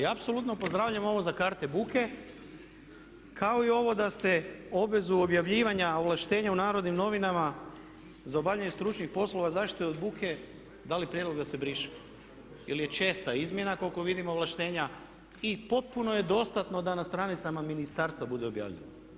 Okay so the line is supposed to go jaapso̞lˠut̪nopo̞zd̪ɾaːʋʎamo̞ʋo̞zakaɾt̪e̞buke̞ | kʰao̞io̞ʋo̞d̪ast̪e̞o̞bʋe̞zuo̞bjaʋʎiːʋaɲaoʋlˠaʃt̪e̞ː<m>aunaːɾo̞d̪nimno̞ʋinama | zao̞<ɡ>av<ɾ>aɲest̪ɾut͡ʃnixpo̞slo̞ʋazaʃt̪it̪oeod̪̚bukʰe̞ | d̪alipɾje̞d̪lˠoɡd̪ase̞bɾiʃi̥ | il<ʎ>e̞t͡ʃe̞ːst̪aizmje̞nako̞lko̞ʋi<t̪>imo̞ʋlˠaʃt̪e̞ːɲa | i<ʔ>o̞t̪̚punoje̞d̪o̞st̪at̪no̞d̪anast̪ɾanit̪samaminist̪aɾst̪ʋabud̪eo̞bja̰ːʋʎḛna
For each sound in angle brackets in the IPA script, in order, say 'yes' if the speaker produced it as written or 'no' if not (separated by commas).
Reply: no, no, no, no, no, no